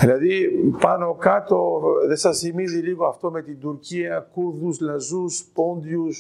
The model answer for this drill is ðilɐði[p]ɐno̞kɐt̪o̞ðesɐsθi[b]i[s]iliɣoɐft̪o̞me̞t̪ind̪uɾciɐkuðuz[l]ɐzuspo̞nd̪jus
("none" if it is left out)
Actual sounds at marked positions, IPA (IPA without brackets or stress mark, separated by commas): p, m, z, l